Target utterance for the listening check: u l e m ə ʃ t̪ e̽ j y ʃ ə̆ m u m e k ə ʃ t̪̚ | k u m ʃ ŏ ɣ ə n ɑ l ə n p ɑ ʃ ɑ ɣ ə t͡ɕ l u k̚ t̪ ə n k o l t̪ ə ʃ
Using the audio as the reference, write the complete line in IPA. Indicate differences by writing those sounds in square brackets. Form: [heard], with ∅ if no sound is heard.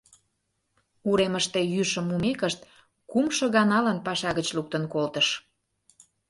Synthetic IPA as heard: u [ɾ] e m ə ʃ t̪ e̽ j y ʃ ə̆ m u m e k ə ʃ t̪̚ | k u m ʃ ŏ ɣ [ɑ] n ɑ l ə n p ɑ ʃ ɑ ɣ ə t͡ɕ l u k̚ t̪ ə n k o l t̪ ə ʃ